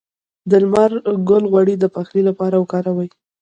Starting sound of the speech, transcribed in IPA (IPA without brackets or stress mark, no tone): d̪